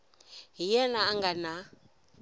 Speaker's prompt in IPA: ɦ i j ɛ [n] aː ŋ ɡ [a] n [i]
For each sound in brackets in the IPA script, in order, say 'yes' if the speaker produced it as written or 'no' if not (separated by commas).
yes, yes, no